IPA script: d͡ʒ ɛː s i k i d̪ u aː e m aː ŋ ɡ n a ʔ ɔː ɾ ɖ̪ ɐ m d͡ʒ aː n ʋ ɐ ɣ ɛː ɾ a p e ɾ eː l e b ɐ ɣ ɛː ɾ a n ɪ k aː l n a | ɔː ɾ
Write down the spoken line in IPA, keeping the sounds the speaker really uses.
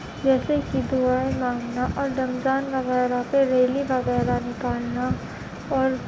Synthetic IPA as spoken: d͡ʒ ɛː s e k i d̪ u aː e m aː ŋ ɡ n a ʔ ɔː ɾ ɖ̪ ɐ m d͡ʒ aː n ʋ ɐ ɣ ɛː ɾ a p e ɾ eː l i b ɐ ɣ ɛː ɾ a n ɪ k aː l n a | ɔː ɾ